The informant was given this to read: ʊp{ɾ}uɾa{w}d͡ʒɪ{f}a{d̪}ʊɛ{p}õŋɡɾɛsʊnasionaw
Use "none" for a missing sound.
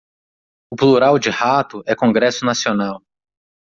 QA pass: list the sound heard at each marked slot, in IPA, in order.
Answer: l, w, h, t̪, k

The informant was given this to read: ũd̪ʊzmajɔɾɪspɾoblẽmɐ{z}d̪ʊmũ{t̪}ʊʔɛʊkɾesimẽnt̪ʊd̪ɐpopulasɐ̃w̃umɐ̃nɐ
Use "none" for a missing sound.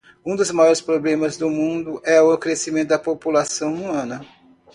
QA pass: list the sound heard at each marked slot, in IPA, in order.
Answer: z, d̪

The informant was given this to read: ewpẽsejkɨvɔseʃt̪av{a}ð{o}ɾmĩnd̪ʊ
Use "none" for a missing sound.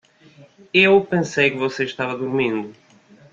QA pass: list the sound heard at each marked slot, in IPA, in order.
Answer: ɐ, u

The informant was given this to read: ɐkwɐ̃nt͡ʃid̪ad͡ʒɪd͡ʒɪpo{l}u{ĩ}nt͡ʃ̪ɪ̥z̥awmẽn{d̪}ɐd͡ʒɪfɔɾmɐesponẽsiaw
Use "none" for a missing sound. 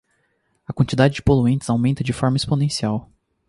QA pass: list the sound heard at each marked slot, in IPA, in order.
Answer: l, ẽ, t̪

